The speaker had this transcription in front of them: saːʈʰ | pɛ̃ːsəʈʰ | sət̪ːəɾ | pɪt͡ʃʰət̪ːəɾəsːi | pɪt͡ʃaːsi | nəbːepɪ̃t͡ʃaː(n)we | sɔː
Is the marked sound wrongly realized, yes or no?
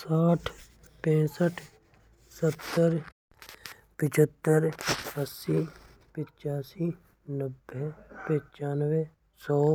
no